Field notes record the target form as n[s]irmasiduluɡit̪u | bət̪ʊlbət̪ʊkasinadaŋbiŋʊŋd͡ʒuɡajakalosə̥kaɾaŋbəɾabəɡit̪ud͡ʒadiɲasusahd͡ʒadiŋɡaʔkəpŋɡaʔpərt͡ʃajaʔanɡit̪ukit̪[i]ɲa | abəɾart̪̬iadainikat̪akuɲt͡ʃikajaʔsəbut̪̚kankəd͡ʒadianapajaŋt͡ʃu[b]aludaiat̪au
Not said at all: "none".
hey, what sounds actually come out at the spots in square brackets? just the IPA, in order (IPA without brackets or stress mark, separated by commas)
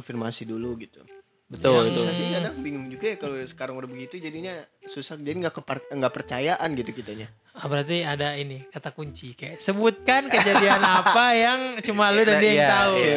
f, a, m